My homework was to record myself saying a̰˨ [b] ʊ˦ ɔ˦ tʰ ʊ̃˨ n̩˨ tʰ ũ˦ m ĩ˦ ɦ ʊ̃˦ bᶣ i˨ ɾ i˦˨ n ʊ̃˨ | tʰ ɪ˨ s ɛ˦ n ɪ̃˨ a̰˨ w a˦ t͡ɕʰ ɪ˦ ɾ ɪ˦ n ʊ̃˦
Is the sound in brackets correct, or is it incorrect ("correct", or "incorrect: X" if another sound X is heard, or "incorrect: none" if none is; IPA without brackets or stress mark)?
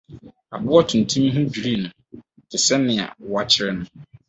correct